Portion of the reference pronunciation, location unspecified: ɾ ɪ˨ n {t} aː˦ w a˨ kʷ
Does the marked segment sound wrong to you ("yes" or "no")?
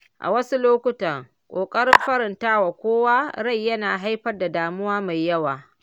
no